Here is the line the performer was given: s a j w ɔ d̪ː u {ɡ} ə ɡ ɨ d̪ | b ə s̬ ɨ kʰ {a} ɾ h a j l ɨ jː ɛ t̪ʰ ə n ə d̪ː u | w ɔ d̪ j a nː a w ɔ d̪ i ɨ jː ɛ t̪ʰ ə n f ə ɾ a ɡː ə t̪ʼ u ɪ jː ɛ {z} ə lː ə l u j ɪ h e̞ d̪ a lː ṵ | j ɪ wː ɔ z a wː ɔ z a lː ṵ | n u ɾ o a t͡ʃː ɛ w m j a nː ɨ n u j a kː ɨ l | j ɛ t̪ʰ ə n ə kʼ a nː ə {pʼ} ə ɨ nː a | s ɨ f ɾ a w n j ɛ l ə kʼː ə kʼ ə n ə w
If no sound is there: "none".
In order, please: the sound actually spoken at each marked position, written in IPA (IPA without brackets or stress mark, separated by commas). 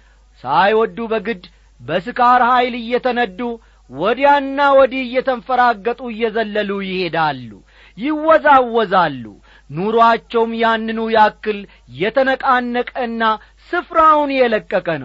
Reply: b, a, z, kʼ